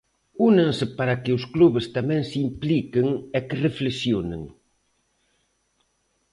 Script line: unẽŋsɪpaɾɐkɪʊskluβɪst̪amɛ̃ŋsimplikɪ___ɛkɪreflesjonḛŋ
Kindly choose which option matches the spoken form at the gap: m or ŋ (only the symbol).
ŋ